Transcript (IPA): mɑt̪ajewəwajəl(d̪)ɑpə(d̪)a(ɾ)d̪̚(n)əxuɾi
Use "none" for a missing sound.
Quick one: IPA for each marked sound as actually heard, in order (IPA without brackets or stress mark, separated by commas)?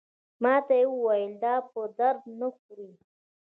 d̪, d̪, ɾ, n